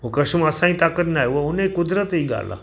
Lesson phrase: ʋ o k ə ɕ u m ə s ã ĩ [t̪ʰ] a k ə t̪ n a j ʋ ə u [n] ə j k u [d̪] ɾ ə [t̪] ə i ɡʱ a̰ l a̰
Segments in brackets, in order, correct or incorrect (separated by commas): incorrect, correct, correct, correct